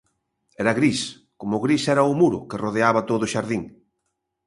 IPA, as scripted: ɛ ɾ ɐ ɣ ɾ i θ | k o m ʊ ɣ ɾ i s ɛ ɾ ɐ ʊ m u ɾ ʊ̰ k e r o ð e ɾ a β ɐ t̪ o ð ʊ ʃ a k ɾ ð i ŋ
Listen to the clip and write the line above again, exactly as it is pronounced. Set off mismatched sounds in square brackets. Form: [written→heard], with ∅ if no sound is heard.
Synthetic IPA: ɛ ɾ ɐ ɣ ɾ i [θ→s] | k o m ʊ ɣ ɾ i s ɛ ɾ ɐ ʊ m u ɾ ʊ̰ k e r o ð e [ɾ→∅] a β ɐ t̪ o ð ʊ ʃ a [k→∅] ɾ ð i ŋ